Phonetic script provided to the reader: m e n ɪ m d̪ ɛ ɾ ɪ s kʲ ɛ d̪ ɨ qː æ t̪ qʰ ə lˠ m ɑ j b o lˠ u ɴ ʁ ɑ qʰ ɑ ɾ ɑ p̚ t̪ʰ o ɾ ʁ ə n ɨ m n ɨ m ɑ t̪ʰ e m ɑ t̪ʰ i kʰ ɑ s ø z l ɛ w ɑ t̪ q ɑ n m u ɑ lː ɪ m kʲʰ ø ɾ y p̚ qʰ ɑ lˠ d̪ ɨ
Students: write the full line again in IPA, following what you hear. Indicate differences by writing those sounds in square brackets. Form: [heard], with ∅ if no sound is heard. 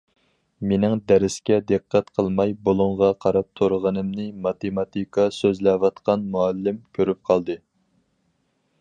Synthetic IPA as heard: m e n ɪ [ŋ] d̪ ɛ ɾ ɪ s kʲ ɛ d̪ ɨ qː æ t̪ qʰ ə lˠ m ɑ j b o lˠ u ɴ ʁ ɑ qʰ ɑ ɾ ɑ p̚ t̪ʰ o ɾ ʁ ə n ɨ m n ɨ m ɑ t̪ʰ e m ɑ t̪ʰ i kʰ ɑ s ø z l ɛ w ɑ t̪ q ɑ n m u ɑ lː ɪ m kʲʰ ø ɾ y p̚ qʰ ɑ lˠ d̪ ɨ